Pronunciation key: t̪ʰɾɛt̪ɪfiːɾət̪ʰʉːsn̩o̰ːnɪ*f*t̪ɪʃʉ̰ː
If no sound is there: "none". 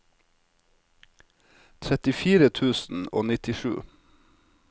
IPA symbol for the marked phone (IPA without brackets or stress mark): none